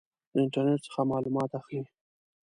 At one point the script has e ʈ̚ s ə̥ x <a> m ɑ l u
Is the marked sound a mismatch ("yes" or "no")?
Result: no